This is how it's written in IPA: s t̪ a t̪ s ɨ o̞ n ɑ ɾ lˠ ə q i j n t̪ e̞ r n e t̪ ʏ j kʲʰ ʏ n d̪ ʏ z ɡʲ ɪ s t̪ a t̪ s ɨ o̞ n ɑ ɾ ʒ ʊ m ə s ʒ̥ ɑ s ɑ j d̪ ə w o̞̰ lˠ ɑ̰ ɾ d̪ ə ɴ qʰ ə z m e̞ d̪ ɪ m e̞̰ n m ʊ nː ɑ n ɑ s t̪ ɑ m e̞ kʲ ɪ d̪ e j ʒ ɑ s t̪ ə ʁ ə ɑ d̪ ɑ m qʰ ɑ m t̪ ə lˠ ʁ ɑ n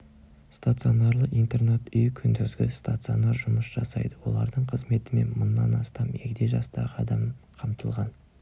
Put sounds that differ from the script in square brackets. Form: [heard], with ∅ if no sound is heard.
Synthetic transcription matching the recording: s t̪ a t̪ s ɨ o̞ n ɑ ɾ lˠ ə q i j n t̪ e̞ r n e t̪ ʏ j kʲʰ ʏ n d̪ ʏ z ɡʲ ɪ s t̪ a t̪ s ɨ o̞ n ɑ ɾ ʒ ʊ m ə s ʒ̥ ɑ s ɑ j d̪ ə w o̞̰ lˠ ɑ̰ ɾ d̪ ə ɴ qʰ ə z m e̞ [t̪] ɪ m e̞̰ n m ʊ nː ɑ n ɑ s t̪ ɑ m e̞ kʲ ɪ d̪ e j ʒ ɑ s t̪ [ɑ] ʁ ə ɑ d̪ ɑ m qʰ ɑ m t̪ ə lˠ ʁ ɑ n